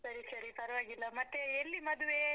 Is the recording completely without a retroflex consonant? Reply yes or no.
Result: yes